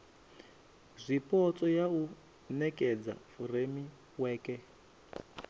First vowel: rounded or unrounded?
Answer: unrounded